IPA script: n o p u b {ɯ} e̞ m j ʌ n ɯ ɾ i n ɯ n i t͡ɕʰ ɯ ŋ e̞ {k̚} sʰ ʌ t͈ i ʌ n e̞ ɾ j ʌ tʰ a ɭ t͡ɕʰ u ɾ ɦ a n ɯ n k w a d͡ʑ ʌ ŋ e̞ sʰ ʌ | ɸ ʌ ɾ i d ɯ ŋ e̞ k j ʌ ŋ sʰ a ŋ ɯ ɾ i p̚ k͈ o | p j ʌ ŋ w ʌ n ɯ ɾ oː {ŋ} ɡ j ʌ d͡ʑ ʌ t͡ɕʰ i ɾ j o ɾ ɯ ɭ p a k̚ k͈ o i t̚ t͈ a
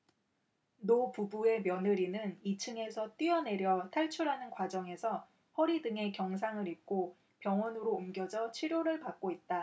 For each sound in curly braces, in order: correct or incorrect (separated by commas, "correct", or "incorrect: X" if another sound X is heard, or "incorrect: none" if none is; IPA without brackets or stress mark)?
incorrect: u, incorrect: none, incorrect: m